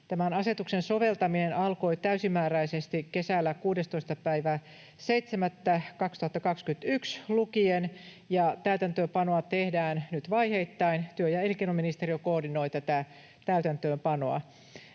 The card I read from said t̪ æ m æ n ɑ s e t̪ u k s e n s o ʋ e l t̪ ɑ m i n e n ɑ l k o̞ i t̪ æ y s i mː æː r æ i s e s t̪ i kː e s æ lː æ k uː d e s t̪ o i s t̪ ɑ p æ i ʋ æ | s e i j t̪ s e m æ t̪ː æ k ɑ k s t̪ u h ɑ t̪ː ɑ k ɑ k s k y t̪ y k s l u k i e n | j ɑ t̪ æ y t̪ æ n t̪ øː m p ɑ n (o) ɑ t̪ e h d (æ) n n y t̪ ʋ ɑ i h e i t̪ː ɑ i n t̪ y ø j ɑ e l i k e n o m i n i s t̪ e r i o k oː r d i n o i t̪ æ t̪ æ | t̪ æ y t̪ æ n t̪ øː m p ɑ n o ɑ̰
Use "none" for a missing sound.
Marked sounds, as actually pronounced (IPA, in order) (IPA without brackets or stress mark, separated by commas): o, æː